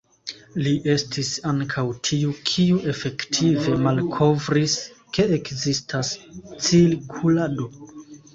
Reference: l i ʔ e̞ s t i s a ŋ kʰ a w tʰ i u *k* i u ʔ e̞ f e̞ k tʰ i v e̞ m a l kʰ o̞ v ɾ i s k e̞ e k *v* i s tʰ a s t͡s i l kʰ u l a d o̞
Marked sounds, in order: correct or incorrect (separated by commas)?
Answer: incorrect, incorrect